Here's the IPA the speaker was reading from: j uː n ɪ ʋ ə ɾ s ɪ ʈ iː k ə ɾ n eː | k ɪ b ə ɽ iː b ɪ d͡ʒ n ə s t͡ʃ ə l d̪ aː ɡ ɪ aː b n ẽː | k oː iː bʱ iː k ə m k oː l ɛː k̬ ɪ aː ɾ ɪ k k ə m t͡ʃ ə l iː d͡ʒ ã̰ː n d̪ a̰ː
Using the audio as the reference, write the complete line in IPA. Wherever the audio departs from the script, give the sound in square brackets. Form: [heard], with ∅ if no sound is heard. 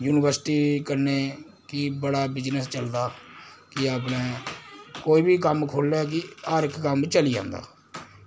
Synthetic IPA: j uː n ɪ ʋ ə ɾ s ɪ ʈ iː k ə ɾ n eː | k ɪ b ə ɽ [aː] b ɪ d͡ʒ n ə s t͡ʃ ə l d̪ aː [k] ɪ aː [p] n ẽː | k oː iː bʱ iː k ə m [kʰ] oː l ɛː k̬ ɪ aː ɾ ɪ k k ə m t͡ʃ ə l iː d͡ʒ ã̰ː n d̪ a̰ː

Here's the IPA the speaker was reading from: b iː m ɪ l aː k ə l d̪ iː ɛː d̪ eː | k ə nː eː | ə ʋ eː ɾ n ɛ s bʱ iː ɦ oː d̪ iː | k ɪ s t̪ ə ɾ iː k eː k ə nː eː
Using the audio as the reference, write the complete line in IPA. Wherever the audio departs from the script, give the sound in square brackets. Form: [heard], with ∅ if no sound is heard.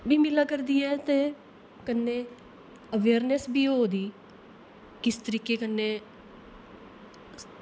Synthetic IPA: b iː m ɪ l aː k ə [ɾ] d̪ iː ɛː [t̪] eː | k ə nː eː | ə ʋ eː ɾ n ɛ s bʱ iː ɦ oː d̪ iː | k ɪ s t̪ ə ɾ iː k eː k ə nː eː

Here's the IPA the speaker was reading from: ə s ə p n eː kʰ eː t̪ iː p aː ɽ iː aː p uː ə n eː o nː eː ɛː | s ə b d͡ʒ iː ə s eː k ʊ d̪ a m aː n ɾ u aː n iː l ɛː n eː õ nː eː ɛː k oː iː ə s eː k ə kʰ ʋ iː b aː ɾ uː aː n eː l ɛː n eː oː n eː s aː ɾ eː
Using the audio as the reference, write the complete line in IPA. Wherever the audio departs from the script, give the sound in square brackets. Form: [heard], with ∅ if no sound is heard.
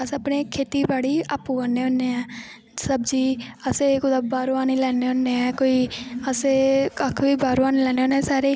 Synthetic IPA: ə s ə p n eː kʰ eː t̪ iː [b] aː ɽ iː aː p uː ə n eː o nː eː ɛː | s ə b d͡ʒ iː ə s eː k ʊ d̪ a [b] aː [∅] ɾ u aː n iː l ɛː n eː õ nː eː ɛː k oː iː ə s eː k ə kʰ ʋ iː b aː ɾ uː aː n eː l ɛː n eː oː n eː s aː ɾ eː

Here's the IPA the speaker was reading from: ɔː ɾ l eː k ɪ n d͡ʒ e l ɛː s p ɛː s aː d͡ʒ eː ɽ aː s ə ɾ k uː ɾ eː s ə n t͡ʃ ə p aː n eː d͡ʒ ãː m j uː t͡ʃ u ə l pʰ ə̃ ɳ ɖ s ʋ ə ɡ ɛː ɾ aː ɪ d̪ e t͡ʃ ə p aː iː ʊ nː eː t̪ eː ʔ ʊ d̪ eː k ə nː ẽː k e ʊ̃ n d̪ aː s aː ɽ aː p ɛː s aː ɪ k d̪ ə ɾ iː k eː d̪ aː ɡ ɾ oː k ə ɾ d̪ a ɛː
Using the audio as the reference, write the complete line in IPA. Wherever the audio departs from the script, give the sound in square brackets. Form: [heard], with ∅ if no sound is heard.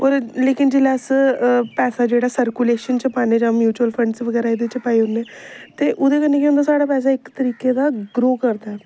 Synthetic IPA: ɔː ɾ l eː k ɪ n d͡ʒ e l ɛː s p ɛː s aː d͡ʒ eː ɽ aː s ə ɾ k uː [l] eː [ʃ] ə n t͡ʃ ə p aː n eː d͡ʒ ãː m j uː t͡ʃ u ə l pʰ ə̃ ɳ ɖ s ʋ ə ɡ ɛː ɾ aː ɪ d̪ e t͡ʃ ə p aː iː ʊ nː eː t̪ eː ʔ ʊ d̪ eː k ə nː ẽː k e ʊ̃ n d̪ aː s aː ɽ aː p ɛː s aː ɪ k [t̪] ə ɾ iː k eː d̪ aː ɡ ɾ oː k ə ɾ d̪ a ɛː

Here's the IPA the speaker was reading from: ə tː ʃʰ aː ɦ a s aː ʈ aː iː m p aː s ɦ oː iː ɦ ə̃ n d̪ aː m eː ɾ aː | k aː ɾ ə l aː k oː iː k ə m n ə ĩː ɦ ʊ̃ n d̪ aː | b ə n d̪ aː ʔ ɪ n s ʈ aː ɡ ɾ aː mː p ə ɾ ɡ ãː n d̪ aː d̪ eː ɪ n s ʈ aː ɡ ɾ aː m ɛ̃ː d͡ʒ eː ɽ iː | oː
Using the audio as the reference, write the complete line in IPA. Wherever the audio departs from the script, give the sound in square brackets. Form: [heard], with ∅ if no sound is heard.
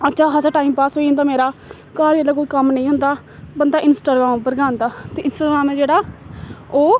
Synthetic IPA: ə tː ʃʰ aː ɦ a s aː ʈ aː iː m p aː s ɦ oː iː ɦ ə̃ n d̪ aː m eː ɾ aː | k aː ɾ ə l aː k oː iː k ə m n ə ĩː ɦ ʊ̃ n d̪ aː | b ə n d̪ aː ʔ ɪ n s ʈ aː ɡ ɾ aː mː p ə ɾ ɡ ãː n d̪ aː [t̪] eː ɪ n s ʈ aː ɡ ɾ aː m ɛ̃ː d͡ʒ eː ɽ [aː] | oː

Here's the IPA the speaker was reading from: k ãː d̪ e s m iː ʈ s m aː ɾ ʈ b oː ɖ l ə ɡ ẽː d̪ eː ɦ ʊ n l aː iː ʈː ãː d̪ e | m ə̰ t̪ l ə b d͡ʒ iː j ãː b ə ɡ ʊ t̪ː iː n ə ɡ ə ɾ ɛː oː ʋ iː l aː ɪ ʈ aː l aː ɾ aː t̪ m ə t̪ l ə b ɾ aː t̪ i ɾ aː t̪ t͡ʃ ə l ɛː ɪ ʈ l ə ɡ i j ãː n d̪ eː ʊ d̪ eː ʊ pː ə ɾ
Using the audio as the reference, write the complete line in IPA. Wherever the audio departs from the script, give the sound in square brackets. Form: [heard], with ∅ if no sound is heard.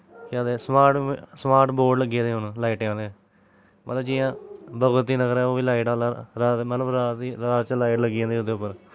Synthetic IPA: k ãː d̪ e s m [aː] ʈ s m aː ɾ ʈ b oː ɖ l ə ɡ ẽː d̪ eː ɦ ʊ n l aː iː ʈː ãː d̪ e | m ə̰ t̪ l ə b d͡ʒ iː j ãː b ə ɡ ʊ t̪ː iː n ə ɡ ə ɾ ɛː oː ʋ iː l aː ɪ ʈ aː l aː ɾ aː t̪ m ə t̪ l ə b ɾ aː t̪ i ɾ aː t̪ t͡ʃ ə l [aː] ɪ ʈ l ə ɡ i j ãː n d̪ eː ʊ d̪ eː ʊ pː ə ɾ

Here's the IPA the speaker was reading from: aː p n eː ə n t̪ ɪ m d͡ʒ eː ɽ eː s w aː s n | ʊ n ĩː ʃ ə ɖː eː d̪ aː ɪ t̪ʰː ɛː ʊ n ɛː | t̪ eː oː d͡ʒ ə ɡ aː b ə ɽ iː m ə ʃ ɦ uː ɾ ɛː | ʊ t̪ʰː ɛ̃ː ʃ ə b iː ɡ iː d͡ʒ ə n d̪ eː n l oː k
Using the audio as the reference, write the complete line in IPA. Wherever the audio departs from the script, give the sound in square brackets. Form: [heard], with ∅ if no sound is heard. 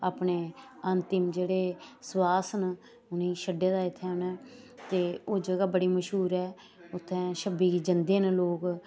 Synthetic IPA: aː p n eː ə n t̪ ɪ m d͡ʒ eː ɽ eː s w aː s n | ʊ n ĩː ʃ ə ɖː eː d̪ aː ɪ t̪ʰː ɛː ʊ n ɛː | t̪ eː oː d͡ʒ ə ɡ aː b ə ɽ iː m ə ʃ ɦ uː ɾ ɛː | ʊ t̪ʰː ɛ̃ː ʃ ə b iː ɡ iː d͡ʒ ə n d̪ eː n l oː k

